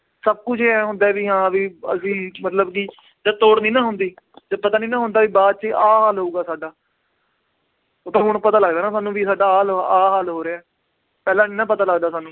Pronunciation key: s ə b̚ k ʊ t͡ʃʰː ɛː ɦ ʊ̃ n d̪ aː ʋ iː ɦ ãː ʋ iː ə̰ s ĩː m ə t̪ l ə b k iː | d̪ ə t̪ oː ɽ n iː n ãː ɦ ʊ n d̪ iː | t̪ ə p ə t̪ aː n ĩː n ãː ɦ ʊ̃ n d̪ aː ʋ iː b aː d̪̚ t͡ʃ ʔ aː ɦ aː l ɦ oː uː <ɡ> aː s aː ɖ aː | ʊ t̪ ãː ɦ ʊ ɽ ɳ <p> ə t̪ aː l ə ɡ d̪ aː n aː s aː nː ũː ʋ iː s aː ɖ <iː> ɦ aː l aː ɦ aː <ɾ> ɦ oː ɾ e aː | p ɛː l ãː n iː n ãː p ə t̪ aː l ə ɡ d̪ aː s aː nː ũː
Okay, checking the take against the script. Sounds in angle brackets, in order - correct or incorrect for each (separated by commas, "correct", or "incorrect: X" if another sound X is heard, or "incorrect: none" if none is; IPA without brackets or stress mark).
correct, correct, incorrect: aː, incorrect: l